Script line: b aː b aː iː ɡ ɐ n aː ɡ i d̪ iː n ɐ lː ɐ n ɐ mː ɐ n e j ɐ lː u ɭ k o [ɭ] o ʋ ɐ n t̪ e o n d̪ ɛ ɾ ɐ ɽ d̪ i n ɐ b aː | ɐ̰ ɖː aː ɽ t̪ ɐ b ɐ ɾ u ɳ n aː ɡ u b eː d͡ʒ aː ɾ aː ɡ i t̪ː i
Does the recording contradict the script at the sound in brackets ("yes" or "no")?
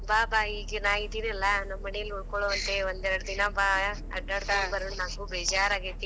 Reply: no